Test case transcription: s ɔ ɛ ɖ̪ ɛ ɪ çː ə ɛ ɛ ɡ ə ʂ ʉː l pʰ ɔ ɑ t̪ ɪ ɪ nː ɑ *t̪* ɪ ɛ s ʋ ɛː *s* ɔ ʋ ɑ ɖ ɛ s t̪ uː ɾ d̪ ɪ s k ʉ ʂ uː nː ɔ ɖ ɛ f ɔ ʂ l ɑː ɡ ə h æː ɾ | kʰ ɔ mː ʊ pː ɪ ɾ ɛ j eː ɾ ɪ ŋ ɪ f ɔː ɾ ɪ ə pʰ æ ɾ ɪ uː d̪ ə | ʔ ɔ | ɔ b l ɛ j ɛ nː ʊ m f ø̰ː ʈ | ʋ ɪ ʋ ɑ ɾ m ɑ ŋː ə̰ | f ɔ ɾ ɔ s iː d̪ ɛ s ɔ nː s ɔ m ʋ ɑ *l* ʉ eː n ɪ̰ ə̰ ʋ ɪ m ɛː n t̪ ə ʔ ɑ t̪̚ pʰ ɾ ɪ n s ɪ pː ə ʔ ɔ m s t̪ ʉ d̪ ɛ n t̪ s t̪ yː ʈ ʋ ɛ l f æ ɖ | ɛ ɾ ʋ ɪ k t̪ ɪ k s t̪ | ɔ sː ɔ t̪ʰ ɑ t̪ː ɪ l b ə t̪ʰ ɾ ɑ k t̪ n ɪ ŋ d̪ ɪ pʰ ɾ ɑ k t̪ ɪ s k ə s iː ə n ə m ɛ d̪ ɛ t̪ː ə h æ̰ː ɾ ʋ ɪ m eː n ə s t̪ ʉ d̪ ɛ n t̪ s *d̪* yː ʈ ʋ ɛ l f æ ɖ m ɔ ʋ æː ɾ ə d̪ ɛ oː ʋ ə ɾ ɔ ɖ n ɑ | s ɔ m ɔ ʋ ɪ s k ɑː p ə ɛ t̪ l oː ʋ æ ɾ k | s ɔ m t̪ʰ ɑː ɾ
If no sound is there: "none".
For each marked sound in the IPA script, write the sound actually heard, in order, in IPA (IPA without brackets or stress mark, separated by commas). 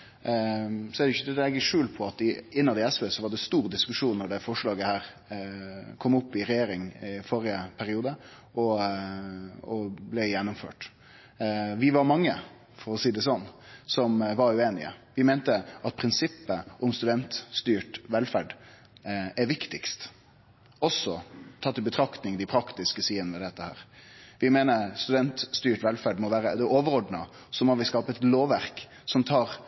d̪, s, ɾ, t̪